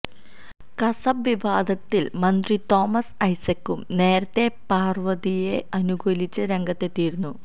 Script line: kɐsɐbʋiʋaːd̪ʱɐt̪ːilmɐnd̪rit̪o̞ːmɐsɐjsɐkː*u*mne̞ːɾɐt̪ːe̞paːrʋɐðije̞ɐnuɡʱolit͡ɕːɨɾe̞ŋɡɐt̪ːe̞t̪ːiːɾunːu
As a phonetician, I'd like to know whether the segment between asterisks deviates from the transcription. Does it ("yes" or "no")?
no